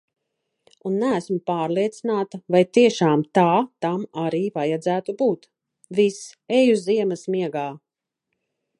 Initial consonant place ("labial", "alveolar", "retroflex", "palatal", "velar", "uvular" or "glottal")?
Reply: alveolar